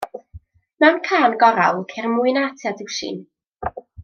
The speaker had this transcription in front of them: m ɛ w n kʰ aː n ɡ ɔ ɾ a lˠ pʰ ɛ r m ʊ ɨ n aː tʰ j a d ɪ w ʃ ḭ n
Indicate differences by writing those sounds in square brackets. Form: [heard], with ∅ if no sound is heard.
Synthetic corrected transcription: m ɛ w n kʰ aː n ɡ ɔ ɾ a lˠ [kʰ] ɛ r m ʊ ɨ n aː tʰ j a d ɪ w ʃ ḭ n